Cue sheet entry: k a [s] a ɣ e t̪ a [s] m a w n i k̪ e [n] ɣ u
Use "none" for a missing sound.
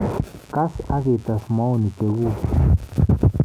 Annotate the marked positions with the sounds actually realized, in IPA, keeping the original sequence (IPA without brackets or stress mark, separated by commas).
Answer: s, s, none